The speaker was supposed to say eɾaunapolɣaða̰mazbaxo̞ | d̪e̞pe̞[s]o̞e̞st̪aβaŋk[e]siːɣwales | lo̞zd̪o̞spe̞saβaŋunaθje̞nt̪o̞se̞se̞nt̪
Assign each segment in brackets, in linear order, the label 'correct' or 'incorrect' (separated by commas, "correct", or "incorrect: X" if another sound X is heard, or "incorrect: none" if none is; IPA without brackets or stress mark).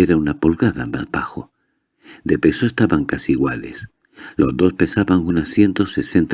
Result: correct, incorrect: a